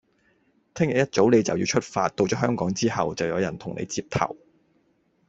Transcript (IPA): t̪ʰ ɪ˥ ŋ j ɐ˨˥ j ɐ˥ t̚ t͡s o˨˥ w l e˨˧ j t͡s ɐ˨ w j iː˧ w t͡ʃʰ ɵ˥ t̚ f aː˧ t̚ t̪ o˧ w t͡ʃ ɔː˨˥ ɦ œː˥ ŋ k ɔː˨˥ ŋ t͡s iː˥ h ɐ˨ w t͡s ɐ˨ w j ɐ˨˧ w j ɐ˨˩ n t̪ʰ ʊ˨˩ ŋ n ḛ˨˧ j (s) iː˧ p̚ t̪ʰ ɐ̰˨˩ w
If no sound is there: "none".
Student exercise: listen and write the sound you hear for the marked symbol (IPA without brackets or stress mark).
t͡s